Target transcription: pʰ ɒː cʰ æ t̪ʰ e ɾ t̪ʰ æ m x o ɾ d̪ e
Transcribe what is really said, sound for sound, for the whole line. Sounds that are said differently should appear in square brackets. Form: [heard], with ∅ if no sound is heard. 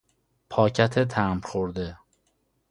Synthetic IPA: pʰ ɒː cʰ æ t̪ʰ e [∅] t̪ʰ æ m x o ɾ d̪ e